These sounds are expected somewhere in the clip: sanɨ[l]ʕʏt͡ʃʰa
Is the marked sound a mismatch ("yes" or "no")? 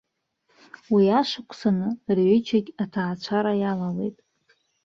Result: yes